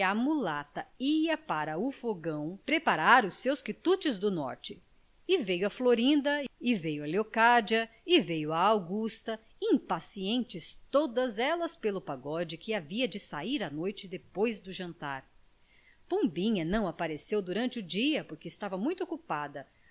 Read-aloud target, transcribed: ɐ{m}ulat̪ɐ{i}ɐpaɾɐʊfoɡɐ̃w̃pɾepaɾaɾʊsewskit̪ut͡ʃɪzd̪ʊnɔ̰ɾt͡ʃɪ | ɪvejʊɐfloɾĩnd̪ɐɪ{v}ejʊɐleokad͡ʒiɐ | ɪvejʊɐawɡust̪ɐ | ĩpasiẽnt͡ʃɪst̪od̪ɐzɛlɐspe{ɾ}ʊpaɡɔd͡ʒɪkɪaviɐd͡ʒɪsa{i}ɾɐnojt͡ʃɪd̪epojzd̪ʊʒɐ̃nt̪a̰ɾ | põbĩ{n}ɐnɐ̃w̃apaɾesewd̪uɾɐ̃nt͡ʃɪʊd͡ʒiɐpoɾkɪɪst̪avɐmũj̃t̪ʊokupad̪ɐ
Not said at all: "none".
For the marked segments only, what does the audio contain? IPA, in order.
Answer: m, i, v, l, i, ɲ

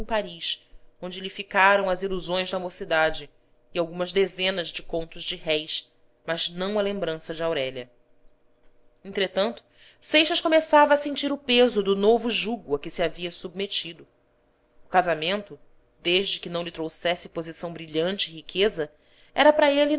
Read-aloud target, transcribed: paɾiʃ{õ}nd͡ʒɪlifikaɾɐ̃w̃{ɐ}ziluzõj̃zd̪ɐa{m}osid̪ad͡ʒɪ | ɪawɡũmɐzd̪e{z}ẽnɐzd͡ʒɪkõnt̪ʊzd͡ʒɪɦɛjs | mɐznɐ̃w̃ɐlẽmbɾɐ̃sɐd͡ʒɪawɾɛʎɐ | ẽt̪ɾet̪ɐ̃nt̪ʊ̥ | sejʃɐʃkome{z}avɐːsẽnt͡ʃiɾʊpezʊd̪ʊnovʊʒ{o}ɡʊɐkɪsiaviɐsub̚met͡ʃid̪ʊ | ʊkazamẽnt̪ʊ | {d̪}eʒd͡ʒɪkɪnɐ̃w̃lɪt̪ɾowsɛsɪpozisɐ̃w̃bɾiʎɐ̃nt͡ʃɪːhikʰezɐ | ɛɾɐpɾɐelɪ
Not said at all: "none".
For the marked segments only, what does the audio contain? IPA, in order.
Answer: õ, ɐ, m, z, s, u, d̪

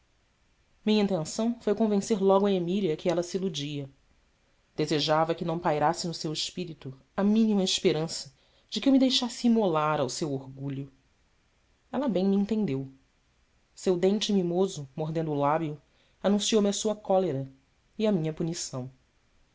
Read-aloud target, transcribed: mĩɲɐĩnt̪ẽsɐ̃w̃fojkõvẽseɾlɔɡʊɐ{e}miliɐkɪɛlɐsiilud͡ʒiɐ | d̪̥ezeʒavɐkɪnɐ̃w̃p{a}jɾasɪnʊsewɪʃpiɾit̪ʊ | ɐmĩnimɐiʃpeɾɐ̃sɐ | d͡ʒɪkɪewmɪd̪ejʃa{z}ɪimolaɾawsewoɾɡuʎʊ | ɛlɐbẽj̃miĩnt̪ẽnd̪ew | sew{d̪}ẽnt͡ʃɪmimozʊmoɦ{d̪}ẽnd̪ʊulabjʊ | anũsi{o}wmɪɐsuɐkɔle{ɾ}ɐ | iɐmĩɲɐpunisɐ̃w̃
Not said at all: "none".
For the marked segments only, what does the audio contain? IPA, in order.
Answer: e, a, s, d̪, d̪, o, ɾ

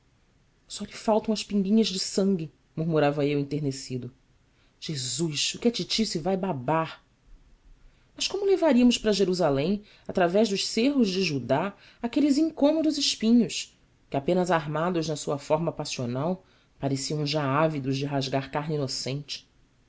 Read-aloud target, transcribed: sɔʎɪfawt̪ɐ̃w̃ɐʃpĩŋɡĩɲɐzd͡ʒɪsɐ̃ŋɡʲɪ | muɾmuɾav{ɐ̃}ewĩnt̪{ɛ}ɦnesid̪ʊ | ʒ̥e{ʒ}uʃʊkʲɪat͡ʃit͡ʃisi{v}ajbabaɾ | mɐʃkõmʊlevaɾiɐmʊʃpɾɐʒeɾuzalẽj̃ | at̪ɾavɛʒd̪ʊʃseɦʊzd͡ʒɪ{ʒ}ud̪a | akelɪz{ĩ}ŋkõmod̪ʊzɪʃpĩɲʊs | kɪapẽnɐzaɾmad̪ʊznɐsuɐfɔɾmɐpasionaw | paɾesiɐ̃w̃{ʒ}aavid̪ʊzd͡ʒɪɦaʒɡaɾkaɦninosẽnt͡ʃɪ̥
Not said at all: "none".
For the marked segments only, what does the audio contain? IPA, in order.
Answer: ɐ, e, z, v, ʒ, ĩ, ʒ

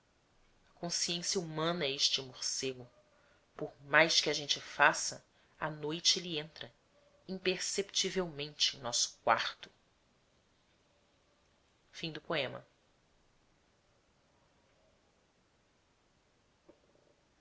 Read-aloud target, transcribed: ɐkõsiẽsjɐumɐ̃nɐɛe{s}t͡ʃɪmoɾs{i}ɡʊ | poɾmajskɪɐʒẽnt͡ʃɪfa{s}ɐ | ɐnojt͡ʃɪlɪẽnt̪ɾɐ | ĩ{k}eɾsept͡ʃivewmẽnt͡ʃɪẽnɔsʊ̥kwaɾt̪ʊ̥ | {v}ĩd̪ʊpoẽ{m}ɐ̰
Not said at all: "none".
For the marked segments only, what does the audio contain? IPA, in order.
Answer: ʃ, e, s, p, f, m

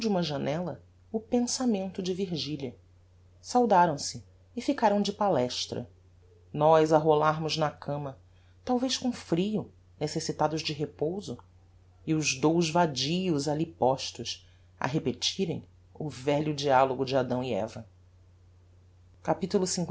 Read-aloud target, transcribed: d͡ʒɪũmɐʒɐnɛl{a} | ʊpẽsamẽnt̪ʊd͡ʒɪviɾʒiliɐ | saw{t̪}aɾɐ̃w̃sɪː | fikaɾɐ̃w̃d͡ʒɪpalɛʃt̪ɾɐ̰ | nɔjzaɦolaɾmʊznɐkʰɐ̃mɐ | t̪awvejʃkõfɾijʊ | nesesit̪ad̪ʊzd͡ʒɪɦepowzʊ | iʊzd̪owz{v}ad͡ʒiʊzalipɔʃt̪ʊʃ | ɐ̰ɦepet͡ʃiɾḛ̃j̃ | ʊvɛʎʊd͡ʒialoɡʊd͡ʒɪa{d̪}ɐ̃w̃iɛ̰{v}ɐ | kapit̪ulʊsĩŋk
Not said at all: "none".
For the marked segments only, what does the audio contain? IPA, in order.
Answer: ɐ, d̪, v, d̪, v

